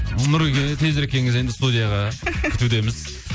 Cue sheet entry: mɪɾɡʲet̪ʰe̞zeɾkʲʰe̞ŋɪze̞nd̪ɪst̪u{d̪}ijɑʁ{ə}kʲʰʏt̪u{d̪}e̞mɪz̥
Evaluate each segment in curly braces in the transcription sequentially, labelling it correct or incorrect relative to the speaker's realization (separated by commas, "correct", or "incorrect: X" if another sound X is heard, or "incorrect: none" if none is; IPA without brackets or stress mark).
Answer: correct, incorrect: ɑ, correct